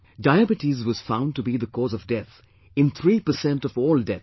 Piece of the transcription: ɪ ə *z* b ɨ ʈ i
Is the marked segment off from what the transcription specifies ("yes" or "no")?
yes